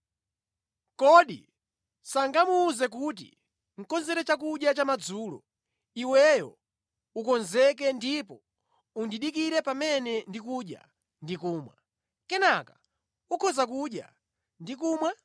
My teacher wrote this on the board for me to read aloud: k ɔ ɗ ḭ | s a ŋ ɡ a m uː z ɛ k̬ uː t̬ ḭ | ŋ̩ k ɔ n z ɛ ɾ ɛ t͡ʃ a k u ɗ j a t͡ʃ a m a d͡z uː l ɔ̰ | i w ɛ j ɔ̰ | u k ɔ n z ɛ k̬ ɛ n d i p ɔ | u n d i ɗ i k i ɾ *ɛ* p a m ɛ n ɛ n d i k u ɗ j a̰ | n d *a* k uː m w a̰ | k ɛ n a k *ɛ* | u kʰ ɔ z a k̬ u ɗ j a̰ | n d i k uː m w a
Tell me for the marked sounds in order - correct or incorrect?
correct, incorrect: i, incorrect: a

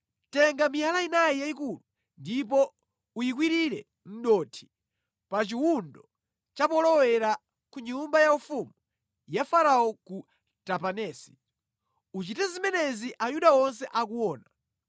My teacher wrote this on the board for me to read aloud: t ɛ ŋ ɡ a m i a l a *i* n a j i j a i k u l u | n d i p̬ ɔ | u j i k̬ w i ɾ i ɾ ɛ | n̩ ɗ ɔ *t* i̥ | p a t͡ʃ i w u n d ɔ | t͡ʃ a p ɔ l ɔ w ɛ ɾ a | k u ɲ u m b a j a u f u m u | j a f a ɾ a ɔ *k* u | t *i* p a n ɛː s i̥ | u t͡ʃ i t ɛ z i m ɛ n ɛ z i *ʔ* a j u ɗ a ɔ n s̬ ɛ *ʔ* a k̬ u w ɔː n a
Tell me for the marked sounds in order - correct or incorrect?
correct, incorrect: tʰ, correct, incorrect: a, correct, correct

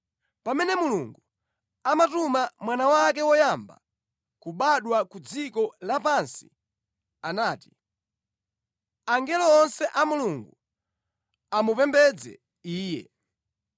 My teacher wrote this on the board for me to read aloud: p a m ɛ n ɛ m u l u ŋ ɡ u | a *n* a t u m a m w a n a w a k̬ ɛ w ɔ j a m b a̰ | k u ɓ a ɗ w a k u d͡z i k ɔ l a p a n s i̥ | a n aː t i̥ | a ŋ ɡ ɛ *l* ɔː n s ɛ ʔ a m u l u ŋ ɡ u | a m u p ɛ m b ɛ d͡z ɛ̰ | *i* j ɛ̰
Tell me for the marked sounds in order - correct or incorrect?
incorrect: m, correct, incorrect: iː

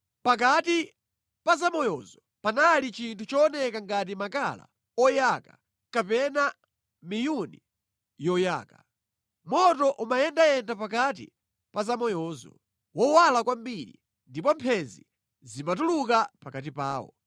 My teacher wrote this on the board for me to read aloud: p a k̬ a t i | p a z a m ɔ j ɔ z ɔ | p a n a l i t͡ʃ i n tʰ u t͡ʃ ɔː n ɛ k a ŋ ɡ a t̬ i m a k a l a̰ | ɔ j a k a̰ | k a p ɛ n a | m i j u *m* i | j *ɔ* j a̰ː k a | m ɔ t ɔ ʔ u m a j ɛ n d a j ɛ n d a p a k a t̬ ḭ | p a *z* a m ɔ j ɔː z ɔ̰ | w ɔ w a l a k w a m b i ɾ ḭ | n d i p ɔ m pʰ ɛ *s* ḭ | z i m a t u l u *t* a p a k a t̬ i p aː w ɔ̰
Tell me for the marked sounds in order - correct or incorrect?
incorrect: n, correct, correct, incorrect: z, incorrect: k

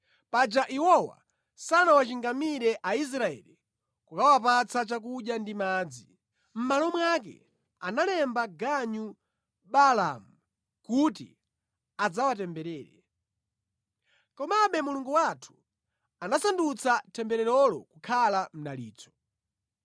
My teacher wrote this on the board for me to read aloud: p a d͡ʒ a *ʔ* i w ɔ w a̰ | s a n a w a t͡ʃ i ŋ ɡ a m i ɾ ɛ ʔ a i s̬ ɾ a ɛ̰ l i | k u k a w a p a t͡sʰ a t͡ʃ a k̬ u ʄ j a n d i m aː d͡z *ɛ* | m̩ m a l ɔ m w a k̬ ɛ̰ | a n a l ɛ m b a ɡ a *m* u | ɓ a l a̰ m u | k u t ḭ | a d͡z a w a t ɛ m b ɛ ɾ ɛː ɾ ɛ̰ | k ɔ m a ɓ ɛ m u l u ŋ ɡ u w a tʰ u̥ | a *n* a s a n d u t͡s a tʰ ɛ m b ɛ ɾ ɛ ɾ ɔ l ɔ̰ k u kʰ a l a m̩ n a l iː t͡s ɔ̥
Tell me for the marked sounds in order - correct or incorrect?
correct, incorrect: i, incorrect: ɲ, correct

